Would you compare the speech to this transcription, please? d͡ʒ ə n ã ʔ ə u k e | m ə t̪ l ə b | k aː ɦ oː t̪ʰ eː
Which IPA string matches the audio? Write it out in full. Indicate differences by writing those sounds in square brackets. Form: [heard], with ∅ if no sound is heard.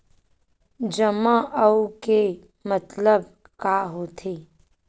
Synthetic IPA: d͡ʒ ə [m] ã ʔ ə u k e | m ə t̪ l ə b | k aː ɦ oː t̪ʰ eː

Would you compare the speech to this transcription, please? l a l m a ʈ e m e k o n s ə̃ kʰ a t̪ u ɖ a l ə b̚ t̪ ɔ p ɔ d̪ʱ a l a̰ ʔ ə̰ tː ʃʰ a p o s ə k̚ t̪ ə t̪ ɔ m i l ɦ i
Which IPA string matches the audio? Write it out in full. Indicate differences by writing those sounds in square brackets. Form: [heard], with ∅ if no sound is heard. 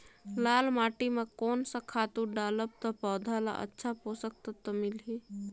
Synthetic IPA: l a l m a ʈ [i] m e k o n s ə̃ kʰ a t̪ u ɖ a l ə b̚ t̪ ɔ p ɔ d̪ʱ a l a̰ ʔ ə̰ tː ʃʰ a p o s ə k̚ t̪ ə t̪ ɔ m i l ɦ i

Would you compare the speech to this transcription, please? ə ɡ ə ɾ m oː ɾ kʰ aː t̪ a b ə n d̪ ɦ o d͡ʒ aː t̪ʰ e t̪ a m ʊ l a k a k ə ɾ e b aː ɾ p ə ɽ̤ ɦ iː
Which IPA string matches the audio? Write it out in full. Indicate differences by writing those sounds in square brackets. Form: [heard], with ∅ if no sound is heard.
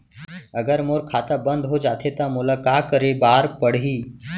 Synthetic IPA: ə ɡ ə ɾ m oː ɾ kʰ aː t̪ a b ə n d̪ ɦ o d͡ʒ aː t̪ʰ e t̪ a m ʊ l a k a k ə ɾ e b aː ɾ p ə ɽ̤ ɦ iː

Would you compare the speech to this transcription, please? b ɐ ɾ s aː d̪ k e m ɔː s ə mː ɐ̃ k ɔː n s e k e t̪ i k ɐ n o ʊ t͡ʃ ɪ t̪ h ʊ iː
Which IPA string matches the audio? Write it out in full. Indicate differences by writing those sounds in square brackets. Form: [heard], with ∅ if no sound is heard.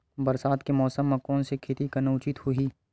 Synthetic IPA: b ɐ ɾ s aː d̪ k e m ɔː s ə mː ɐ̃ k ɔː n s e [kʰ] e t̪ i k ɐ n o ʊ t͡ʃ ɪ t̪ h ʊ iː

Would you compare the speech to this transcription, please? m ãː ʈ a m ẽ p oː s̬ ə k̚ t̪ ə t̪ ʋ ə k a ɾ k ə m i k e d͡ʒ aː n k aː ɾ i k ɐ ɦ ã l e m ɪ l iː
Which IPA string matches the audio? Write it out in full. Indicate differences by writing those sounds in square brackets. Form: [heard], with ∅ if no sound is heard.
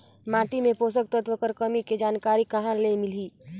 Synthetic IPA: m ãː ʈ [i] m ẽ p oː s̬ ə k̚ t̪ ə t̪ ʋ ə k [ə] ɾ k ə m i k e d͡ʒ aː n k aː ɾ i k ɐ ɦ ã l e m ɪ l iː

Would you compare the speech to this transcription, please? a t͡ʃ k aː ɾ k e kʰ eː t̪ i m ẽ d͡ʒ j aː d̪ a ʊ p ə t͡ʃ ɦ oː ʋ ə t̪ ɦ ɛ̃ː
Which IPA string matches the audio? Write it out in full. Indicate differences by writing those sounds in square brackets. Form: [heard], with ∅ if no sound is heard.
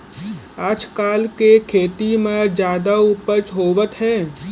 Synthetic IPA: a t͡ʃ k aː [l] k e kʰ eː t̪ i m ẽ d͡ʒ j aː d̪ a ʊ p ə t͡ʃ ɦ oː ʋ ə t̪ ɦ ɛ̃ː

